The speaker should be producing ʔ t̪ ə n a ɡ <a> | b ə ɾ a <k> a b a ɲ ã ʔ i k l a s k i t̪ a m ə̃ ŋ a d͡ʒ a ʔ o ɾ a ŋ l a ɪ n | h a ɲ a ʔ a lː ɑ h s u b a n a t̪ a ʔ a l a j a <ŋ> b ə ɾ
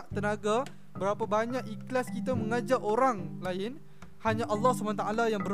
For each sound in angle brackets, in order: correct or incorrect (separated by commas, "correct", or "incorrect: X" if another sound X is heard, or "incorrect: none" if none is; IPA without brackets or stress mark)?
correct, incorrect: p, correct